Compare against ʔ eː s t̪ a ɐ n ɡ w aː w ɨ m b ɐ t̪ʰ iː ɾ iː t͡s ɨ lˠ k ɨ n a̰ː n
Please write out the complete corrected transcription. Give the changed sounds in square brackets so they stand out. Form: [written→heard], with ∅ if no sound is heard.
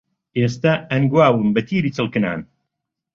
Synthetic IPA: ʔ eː s t̪ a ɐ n ɡ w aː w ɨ m b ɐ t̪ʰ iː ɾ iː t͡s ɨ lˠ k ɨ n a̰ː n